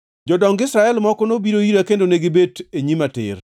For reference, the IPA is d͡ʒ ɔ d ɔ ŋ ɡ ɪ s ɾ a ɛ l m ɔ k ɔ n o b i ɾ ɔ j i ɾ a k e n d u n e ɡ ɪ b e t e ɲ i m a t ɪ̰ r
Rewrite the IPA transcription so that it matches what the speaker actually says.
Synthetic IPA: d͡ʒ ɔ d ɔ ŋ ɡ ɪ s ɾ a ɛ l m ɔ k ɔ n o b i ɾ o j i ɾ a k e n d o n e ɡ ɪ b e t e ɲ i m a t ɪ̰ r